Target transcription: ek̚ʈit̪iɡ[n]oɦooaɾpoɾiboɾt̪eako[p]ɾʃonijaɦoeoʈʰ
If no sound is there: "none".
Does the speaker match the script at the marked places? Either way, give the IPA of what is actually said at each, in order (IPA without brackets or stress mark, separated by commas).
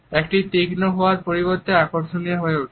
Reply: n, none